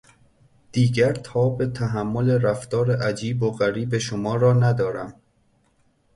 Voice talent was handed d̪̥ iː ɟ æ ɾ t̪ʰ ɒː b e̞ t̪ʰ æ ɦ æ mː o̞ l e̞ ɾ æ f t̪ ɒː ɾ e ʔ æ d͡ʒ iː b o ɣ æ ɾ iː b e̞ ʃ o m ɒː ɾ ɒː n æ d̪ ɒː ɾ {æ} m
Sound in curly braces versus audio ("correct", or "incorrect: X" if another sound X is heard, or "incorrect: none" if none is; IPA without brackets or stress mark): correct